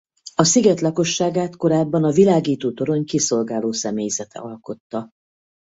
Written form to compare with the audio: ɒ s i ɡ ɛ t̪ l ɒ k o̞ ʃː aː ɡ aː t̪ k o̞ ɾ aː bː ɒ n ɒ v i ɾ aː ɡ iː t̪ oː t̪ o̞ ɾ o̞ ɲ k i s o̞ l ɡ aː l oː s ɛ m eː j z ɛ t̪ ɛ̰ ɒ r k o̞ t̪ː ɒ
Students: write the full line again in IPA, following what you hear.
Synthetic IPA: ɒ s i ɡ ɛ t̪ l ɒ k o̞ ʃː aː ɡ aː t̪ k o̞ ɾ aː bː ɒ n ɒ v i l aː ɡ iː t̪ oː t̪ o̞ ɾ o̞ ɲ k i s o̞ l ɡ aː l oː s ɛ m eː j z ɛ t̪ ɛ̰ ɒ l k o̞ t̪ː ɒ